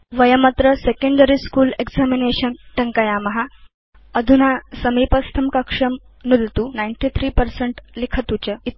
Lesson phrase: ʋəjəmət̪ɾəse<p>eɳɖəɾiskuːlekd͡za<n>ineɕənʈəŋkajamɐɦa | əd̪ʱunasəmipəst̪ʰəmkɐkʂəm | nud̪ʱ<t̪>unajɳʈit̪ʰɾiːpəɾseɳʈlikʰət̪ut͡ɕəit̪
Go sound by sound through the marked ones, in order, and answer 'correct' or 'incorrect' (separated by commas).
incorrect, incorrect, correct